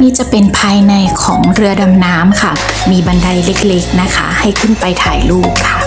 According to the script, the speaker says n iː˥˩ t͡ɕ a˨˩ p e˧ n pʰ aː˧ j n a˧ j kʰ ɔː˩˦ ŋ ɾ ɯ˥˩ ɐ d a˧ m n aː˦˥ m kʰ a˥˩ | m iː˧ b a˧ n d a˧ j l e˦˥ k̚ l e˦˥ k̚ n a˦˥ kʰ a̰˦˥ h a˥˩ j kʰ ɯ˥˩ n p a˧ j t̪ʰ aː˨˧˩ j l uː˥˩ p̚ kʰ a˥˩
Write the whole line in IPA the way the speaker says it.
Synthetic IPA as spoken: n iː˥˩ t͡ɕ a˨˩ p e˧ n pʰ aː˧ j n a˧ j kʰ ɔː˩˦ ŋ ɾ ɯ˧ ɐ d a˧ m n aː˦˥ m kʰ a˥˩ | m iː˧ b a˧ n d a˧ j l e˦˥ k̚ l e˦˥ k̚ n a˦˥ kʰ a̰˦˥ h a˥˩ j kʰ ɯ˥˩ n p a˧ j t̪ʰ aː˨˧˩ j l uː˥˩ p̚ kʰ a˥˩